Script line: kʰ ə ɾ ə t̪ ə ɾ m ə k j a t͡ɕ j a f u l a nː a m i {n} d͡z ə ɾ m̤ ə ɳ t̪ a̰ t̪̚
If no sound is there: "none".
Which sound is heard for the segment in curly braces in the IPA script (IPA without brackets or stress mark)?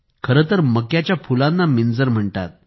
n